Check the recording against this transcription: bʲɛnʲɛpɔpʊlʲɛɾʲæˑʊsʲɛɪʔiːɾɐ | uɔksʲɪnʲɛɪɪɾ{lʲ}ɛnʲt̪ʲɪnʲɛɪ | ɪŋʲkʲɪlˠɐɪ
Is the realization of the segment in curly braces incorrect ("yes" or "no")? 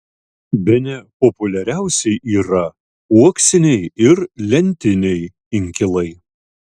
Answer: no